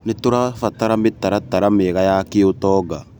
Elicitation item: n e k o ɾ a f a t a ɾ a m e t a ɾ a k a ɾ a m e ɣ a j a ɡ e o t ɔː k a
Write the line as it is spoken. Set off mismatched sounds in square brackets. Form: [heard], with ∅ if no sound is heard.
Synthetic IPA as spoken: n e [t] o ɾ a f a t a ɾ a m e t a ɾ a [t] a ɾ a m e ɣ a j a [k] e o t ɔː [ɡ] a

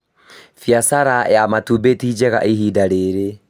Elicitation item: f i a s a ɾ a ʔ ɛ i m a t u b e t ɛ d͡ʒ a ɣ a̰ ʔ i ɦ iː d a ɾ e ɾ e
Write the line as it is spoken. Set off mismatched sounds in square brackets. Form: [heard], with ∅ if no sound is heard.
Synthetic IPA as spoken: f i a s a ɾ a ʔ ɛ [a] m a t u b e t [i] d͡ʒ [ɛ] ɣ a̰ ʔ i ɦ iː d a ɾ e ɾ e

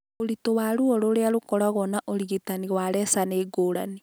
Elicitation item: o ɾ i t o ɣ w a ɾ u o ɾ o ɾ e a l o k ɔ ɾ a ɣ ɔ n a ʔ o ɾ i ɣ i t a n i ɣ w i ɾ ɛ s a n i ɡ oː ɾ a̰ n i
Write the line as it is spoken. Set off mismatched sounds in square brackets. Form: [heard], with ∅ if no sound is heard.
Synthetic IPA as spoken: o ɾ i t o [∅] w a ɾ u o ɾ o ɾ e a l o k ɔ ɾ a ɣ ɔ n a ʔ o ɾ i ɣ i t a n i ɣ w [a] ɾ ɛ s a n [e] ɡ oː ɾ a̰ n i

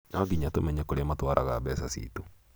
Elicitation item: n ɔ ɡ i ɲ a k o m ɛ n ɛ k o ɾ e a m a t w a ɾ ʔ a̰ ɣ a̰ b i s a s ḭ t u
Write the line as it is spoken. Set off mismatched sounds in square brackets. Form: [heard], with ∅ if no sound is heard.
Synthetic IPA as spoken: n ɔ ɡ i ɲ a [t] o m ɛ [ɲ] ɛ k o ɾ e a m a t w a ɾ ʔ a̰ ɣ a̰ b [ɛ] s a s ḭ t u

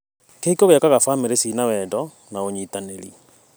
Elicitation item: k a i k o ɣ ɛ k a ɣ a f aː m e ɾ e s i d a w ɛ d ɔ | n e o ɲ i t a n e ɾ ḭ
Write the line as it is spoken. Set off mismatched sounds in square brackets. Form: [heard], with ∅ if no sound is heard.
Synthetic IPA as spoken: k [e] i k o ɣ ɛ k a ɣ a f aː m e ɾ e s i [n] a w ɛ d ɔ | n [a] o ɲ i t a n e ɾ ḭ

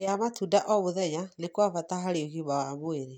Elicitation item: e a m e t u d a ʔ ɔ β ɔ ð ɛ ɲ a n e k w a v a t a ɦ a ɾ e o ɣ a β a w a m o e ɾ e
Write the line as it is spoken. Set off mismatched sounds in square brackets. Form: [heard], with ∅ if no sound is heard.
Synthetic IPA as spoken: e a m [a] t u d a ʔ ɔ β [o] ð ɛ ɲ a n e k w a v a t a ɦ a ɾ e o ɣ [i] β a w a m o e ɾ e

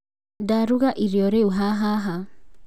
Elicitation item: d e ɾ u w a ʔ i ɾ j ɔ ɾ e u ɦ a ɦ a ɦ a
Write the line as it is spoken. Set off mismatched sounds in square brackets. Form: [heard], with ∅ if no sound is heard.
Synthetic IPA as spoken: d [a] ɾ u [ɣ] a ʔ i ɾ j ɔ ɾ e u ɦ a ɦ a ɦ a

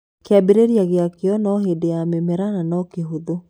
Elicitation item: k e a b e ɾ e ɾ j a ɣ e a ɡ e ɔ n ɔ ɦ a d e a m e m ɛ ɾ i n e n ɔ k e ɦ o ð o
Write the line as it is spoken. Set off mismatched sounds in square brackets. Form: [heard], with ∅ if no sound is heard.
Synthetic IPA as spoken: k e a b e ɾ e ɾ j a ɣ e a [k] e ɔ n ɔ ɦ [e] d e a m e m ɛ ɾ [a] n [a] n ɔ k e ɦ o ð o

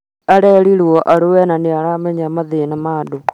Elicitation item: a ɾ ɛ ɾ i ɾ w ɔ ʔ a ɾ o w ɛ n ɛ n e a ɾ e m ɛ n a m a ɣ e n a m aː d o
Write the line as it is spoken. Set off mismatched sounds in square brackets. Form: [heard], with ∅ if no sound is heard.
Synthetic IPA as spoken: a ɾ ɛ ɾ i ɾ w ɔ ʔ a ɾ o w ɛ n [a] n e a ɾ [a] m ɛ [ɲ] a m a [ð] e n a m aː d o

